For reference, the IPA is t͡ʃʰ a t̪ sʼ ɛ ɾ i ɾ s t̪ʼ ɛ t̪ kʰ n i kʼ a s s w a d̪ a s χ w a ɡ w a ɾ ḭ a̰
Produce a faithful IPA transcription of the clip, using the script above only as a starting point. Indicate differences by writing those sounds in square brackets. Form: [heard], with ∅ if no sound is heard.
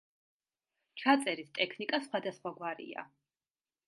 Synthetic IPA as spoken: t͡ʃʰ a t̪ sʼ ɛ ɾ i [∅] s t̪ʼ ɛ [∅] kʰ n i kʼ a s [χ] w a d̪ a s χ w a ɡ w a ɾ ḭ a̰